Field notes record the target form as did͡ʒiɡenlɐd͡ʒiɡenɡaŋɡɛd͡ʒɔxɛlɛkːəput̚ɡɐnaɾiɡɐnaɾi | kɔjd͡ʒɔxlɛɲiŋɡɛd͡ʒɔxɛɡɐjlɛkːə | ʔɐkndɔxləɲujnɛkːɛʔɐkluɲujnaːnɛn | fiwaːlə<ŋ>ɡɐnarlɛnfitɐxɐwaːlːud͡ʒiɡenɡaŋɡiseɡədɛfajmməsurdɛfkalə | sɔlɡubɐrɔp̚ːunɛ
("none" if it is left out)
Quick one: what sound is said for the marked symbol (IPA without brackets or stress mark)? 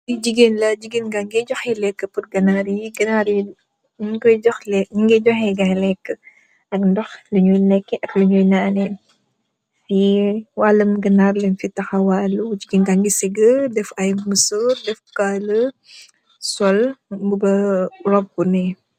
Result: m